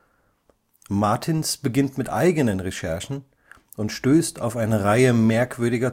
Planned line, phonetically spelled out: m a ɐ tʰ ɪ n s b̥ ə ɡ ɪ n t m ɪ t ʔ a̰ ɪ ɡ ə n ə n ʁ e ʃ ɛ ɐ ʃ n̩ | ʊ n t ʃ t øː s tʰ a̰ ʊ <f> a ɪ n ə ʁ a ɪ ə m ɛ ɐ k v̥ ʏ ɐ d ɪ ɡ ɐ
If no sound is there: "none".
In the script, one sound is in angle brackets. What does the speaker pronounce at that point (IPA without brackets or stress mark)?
f